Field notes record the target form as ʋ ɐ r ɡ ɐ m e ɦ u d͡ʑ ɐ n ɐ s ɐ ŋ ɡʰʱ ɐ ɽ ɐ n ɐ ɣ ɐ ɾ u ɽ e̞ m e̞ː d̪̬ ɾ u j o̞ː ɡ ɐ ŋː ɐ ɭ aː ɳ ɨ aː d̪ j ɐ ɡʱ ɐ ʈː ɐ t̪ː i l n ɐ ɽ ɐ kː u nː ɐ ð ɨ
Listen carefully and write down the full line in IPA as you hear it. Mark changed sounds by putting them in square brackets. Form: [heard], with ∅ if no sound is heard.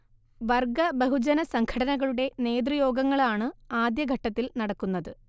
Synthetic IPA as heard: ʋ ɐ r ɡ ɐ [b] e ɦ u d͡ʑ ɐ n ɐ s ɐ ŋ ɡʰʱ ɐ ɽ ɐ n ɐ ɣ ɐ [ɭ] u ɽ e̞ [n] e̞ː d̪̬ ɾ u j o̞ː ɡ ɐ ŋː ɐ ɭ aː ɳ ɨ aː d̪ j ɐ ɡʱ ɐ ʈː ɐ t̪ː i l n ɐ ɽ ɐ kː u nː ɐ ð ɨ